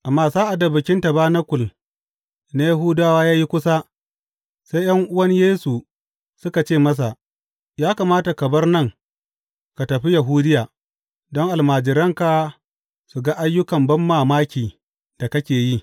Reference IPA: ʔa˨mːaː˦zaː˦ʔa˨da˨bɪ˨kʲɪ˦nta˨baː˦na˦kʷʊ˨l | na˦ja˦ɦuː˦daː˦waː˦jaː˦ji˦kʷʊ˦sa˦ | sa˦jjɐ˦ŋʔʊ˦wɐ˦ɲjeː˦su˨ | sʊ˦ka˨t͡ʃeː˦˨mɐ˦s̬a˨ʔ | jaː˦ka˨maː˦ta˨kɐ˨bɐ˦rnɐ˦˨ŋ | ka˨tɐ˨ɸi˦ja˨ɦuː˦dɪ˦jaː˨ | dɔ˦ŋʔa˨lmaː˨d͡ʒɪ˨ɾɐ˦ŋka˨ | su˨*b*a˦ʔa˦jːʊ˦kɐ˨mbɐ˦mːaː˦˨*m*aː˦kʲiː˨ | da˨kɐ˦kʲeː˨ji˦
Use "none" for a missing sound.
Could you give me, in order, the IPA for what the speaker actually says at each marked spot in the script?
ɡ, m

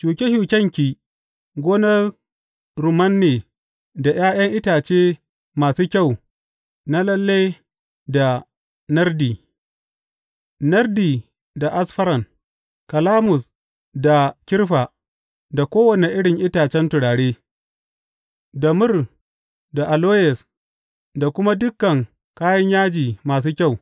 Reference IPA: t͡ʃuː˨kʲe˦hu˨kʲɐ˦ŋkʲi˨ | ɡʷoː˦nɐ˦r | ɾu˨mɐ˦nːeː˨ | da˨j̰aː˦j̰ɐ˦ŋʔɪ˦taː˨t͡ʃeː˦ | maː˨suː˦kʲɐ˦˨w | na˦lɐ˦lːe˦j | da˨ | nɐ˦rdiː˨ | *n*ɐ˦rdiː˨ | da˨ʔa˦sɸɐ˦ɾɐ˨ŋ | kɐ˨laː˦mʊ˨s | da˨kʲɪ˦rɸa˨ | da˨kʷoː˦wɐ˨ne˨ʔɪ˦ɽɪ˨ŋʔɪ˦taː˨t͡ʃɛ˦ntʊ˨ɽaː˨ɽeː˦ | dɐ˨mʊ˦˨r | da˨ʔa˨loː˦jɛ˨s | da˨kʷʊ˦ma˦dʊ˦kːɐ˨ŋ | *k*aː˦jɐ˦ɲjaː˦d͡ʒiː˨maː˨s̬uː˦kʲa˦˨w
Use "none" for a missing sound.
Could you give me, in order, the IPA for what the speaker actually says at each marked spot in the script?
n, k

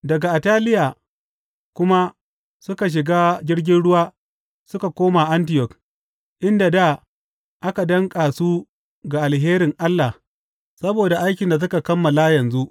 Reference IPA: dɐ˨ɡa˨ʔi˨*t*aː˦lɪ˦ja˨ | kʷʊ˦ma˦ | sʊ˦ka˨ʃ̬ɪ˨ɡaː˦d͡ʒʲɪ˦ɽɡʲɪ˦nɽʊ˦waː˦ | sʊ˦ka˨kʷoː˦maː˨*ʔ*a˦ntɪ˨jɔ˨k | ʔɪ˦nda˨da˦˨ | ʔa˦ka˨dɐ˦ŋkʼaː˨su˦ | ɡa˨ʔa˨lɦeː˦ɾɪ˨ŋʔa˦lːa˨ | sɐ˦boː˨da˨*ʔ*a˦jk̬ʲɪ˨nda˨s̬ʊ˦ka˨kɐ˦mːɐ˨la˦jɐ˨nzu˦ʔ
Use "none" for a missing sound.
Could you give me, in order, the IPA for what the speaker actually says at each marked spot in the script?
t, ʔ, ʔ

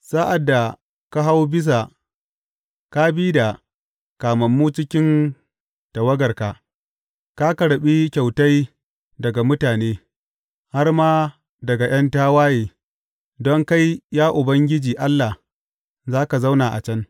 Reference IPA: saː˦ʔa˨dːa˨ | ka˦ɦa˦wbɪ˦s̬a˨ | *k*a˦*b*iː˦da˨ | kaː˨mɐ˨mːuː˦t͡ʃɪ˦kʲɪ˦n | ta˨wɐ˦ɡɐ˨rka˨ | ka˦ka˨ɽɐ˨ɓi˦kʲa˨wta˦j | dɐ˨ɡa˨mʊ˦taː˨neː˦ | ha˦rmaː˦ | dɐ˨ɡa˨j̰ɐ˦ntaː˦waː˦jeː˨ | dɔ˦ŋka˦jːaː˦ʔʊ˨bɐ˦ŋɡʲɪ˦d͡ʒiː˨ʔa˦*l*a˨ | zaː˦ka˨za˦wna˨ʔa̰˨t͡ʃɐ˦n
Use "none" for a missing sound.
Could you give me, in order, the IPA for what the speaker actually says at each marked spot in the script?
k, b, lː

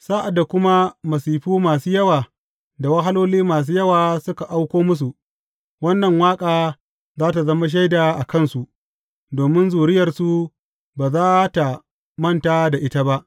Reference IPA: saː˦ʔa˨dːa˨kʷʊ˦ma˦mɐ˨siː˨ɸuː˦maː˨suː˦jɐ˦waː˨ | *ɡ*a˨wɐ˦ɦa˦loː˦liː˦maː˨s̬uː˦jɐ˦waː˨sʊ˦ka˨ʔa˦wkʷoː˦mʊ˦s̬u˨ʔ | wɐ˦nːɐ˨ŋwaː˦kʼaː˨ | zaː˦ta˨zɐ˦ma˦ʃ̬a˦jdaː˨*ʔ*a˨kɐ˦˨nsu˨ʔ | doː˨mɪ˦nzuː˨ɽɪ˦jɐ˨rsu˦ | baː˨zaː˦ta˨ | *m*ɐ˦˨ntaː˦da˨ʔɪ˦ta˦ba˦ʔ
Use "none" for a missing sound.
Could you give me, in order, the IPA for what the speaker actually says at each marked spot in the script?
d, ʔ, m

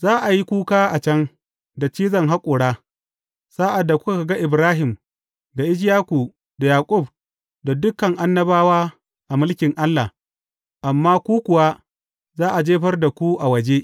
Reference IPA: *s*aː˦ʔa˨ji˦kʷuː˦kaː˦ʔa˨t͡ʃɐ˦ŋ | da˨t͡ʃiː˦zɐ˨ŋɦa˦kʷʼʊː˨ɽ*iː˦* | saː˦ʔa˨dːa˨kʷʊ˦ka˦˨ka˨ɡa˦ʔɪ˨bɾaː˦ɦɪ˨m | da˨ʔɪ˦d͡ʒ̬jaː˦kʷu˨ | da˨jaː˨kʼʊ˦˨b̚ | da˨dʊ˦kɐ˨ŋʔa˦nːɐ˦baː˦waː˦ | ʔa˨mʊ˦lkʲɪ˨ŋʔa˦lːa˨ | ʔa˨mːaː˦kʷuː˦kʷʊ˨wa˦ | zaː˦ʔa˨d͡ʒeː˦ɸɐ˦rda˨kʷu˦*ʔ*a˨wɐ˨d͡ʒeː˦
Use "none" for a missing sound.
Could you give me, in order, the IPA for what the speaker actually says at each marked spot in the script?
z, aː˦, ʔ

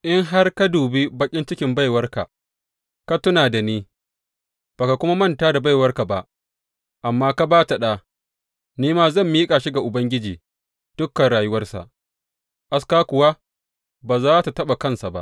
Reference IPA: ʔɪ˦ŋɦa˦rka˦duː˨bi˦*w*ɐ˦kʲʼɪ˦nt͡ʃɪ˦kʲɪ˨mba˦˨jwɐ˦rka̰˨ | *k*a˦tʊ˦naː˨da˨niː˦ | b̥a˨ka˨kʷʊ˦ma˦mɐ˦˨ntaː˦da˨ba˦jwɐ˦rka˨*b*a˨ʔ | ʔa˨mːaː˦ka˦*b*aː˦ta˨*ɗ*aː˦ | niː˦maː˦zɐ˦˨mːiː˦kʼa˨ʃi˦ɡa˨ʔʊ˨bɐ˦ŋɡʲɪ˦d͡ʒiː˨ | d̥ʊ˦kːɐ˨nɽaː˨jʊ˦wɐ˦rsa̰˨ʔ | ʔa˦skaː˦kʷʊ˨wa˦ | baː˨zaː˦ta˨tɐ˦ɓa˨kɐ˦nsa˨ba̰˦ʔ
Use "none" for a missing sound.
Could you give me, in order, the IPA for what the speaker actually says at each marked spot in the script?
b, k, b, b, ɗ

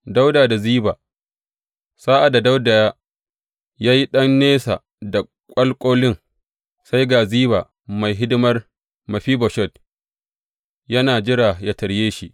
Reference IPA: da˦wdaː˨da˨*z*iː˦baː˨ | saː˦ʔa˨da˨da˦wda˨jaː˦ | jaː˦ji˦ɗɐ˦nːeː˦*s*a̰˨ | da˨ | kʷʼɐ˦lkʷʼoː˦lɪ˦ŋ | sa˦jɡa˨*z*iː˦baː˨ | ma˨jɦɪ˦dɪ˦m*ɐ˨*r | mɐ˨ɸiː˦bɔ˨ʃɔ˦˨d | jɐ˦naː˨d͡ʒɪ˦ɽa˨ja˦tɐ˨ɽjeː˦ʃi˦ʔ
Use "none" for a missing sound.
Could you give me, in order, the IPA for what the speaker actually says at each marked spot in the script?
z, s, z, ɐ˦

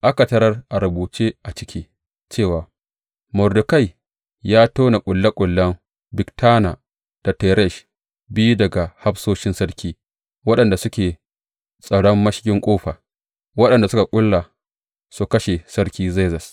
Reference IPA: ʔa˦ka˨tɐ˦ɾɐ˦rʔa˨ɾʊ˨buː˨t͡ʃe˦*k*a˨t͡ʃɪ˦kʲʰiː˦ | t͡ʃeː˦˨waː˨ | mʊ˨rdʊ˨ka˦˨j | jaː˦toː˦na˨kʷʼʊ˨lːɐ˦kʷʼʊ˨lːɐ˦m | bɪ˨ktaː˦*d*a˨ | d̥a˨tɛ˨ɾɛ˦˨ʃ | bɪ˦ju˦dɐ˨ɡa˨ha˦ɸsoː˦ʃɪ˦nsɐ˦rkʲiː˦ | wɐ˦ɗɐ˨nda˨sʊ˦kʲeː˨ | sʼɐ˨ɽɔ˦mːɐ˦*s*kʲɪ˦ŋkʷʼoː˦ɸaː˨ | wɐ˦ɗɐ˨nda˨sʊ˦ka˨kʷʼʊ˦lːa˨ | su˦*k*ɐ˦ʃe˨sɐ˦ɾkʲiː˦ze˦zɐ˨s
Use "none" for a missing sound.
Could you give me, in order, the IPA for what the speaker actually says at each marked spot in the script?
ʔ, n, ʃ, k

